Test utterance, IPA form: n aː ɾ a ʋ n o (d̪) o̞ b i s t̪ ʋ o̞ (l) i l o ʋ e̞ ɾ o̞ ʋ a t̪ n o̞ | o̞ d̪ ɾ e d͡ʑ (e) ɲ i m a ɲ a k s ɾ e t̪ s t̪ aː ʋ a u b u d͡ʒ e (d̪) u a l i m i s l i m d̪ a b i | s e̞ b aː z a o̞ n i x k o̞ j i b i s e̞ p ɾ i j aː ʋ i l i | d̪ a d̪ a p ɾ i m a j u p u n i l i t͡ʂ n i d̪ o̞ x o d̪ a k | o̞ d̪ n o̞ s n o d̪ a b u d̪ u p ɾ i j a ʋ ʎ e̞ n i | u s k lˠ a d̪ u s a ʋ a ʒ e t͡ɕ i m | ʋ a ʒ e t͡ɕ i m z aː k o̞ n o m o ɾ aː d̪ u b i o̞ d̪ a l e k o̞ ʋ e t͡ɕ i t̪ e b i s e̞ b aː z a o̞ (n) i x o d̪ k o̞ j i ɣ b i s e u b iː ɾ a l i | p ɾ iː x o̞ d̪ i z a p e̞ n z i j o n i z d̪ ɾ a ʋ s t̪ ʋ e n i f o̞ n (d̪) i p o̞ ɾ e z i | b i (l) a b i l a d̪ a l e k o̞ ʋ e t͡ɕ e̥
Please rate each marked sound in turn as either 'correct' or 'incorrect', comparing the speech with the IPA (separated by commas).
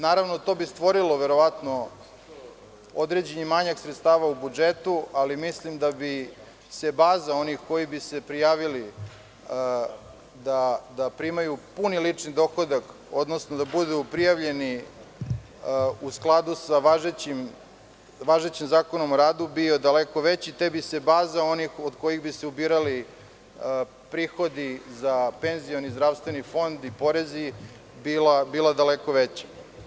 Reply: incorrect, incorrect, correct, incorrect, correct, correct, correct